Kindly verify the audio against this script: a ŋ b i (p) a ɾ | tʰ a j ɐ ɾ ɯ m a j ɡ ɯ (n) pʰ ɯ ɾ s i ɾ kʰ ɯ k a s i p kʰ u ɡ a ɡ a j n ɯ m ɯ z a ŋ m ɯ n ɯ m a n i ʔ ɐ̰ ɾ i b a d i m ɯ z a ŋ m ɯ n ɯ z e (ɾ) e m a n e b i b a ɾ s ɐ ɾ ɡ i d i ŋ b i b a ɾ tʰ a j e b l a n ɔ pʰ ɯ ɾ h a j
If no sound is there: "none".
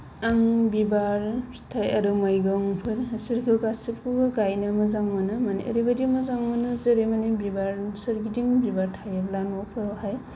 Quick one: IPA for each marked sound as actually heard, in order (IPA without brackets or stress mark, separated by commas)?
b, ŋ, ɾ